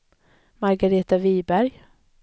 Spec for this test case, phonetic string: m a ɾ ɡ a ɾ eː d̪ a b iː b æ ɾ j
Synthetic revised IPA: m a ɾ ɡ a ɾ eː t̪ a v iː b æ ɾ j